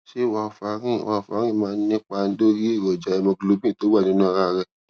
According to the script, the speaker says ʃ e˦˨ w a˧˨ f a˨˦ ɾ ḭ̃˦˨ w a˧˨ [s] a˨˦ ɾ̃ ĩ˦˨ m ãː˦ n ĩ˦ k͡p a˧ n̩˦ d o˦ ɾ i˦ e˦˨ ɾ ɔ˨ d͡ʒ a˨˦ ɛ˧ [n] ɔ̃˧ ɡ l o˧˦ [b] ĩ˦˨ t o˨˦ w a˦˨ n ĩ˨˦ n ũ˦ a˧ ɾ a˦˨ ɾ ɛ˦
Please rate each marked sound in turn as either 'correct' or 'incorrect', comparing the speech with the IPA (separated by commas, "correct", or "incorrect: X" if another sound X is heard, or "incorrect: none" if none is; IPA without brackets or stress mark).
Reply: incorrect: f, incorrect: m, correct